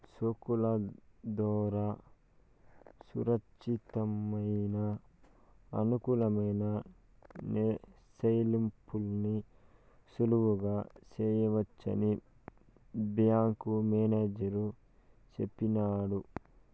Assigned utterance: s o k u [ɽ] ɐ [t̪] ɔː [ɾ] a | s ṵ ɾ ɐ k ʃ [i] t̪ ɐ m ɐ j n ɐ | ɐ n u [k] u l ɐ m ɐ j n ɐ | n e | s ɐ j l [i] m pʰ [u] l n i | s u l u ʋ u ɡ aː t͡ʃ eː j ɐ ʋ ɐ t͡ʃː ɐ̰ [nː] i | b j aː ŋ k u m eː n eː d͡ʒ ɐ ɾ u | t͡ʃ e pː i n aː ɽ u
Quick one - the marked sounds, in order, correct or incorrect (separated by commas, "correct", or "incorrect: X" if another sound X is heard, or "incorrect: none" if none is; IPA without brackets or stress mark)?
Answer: incorrect: l, incorrect: d̪, correct, correct, correct, correct, correct, incorrect: n